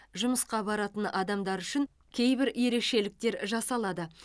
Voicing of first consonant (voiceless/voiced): voiced